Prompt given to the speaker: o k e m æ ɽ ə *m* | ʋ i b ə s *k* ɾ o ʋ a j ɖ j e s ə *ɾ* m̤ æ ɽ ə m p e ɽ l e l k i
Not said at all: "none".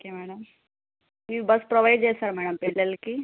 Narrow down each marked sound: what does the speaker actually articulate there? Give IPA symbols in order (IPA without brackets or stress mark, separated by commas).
m, p, ɾ